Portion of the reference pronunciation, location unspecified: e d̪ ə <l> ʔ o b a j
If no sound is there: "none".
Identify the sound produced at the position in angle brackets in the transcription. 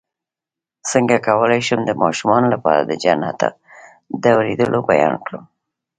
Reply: l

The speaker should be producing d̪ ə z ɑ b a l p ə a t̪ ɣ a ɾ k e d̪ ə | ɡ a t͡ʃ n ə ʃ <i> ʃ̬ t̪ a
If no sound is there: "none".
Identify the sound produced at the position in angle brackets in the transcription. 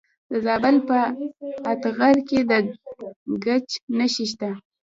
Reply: i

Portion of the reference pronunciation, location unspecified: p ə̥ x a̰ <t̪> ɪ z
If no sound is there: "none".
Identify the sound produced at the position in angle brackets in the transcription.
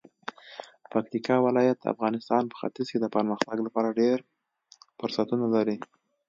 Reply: t̪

